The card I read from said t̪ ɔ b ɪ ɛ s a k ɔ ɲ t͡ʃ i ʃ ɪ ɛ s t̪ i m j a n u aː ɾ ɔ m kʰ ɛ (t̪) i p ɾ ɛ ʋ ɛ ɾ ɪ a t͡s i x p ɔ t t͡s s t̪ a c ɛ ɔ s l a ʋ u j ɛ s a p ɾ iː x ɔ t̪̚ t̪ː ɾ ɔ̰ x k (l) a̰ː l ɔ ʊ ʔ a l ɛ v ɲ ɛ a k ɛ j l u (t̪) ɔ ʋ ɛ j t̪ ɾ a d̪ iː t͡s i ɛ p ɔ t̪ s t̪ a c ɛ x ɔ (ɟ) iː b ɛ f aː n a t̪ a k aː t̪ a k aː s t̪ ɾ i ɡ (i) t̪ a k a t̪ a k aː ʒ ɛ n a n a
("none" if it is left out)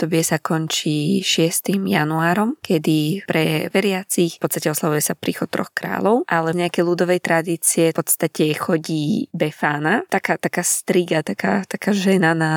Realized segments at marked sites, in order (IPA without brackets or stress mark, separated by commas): d̪, ɾ, d̪, ɟ, a